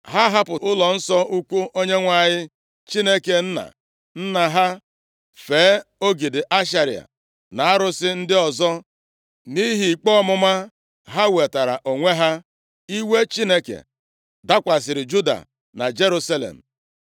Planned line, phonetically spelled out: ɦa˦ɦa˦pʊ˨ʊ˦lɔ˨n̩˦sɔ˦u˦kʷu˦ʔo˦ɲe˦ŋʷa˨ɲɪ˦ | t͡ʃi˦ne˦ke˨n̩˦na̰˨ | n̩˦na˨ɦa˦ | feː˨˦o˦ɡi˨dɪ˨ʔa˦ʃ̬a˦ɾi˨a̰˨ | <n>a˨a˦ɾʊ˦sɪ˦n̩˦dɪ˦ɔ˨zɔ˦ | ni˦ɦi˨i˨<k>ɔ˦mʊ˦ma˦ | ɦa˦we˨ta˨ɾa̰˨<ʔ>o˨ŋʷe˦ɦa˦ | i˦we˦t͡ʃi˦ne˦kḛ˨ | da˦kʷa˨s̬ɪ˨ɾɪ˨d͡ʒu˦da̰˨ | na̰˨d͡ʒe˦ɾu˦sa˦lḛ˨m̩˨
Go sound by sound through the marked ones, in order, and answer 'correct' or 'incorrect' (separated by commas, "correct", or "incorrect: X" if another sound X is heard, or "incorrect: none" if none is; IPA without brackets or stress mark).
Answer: correct, incorrect: k͡p, correct